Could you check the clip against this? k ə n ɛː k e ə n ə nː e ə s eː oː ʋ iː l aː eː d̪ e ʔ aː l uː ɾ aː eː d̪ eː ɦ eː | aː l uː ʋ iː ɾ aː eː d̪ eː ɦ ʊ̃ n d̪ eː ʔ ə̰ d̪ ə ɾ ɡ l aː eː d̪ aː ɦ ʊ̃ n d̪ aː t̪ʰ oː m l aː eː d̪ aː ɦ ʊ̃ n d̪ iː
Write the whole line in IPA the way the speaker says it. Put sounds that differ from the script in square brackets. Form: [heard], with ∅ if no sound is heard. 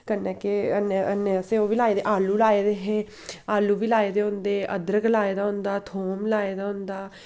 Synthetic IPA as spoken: k ə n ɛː k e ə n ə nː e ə s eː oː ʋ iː l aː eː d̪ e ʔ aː l uː [l] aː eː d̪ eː ɦ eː | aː l uː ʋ iː [l] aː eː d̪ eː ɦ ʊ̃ n d̪ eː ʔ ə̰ d̪ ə ɾ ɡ l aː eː d̪ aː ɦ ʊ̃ n d̪ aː t̪ʰ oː m l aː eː d̪ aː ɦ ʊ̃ n d̪ [aː]